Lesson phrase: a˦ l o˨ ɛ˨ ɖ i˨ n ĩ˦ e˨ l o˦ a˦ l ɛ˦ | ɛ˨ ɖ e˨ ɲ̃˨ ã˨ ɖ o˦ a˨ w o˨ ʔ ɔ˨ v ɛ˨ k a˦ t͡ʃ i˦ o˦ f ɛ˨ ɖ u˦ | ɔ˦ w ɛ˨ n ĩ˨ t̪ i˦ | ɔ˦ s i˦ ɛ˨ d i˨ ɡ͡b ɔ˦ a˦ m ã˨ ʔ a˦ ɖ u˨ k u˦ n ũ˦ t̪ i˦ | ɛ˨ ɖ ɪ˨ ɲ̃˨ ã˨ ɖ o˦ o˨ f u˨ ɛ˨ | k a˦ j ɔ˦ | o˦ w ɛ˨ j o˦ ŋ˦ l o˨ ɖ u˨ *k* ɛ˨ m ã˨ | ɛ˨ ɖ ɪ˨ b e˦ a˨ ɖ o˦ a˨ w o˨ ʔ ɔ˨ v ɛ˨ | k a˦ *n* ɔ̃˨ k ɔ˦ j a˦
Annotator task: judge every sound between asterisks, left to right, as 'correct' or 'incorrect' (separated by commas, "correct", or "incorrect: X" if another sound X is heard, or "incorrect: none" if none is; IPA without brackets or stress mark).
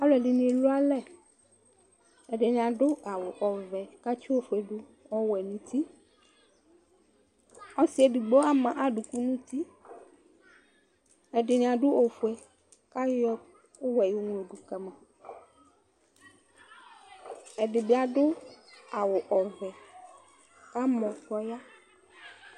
correct, incorrect: m